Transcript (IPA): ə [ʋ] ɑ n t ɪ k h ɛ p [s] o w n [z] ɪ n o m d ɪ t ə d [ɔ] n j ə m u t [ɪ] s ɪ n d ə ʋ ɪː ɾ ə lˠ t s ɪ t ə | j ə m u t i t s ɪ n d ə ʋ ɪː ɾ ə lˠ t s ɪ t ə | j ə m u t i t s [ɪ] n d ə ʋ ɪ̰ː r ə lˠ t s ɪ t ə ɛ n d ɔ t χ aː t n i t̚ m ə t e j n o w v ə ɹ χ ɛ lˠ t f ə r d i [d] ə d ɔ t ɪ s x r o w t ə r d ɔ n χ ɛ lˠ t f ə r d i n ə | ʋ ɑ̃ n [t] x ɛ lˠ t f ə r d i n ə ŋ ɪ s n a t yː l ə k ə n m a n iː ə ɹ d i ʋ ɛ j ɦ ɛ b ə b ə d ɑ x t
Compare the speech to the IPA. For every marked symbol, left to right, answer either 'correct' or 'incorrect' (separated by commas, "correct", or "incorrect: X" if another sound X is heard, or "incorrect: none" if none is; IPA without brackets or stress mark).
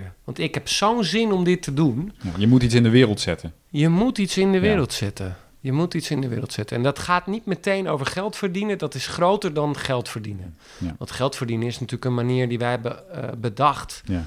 correct, correct, correct, incorrect: u, incorrect: i, correct, incorrect: n, correct